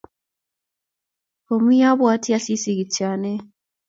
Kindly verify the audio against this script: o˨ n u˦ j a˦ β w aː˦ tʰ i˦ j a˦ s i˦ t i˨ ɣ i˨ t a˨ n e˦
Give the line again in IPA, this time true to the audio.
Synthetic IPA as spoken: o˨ m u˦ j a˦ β w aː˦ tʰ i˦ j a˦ s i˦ s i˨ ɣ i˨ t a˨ n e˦